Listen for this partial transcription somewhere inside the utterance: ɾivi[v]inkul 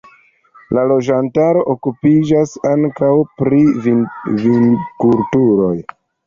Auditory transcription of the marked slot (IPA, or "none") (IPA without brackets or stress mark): v